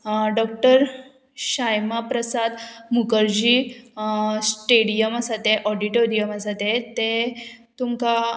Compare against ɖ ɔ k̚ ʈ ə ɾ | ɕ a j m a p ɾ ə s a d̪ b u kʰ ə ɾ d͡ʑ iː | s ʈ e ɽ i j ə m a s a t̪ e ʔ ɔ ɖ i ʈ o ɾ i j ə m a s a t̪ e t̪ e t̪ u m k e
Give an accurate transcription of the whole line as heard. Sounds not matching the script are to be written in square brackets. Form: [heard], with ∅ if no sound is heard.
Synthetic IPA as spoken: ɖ ɔ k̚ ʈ ə ɾ | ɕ a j m a p ɾ ə s a d̪ [m] u [k] ə ɾ d͡ʑ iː | s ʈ e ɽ i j ə m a s a t̪ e ʔ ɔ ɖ i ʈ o ɾ i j ə m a s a t̪ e t̪ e t̪ u m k [a]